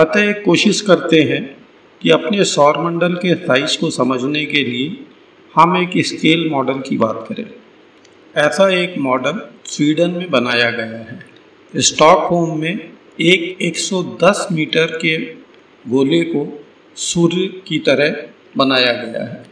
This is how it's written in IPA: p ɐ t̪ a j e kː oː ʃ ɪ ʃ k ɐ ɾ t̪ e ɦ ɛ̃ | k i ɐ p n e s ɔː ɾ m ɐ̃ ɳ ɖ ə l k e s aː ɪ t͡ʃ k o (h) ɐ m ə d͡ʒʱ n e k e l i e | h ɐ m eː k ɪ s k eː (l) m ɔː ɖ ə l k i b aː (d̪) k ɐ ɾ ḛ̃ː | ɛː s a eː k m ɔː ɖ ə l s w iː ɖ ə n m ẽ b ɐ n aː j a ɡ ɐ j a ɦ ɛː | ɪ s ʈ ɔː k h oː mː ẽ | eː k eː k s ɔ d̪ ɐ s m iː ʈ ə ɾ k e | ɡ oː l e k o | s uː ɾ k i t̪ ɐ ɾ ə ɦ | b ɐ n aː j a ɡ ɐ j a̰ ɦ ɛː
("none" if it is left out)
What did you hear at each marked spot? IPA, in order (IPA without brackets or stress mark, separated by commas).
s, l, t̪